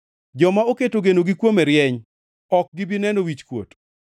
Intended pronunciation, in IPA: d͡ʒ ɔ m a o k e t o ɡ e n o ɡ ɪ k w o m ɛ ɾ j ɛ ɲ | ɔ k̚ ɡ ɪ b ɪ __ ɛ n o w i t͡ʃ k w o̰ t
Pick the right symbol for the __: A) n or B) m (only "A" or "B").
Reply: A